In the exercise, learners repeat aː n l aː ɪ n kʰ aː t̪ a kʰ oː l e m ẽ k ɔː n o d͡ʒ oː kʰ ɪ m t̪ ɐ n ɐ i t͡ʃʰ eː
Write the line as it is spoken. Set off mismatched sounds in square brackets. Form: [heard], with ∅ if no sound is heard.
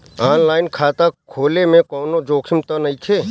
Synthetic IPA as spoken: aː n l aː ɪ n kʰ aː t̪ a kʰ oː l e m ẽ k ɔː n o d͡ʒ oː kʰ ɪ m t̪ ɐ n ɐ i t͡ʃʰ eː